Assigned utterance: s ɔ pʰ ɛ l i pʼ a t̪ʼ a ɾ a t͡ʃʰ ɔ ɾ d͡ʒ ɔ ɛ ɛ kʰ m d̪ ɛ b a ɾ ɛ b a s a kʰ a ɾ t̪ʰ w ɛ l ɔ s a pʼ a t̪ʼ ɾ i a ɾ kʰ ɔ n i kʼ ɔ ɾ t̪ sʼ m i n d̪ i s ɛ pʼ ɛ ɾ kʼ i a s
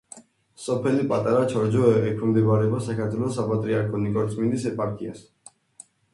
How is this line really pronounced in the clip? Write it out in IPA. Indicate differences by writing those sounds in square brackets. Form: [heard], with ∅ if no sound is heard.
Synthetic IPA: s ɔ pʰ ɛ l i pʼ a t̪ʼ a ɾ a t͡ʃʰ ɔ ɾ d͡ʒ ɔ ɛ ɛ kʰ m d̪ ɛ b a ɾ ɛ b a s a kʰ a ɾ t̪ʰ w ɛ l ɔ s a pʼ a t̪ʼ ɾ i a ɾ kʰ ɔ n i kʼ ɔ ɾ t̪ sʼ m i n d̪ i s ɛ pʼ [a] ɾ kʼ i a s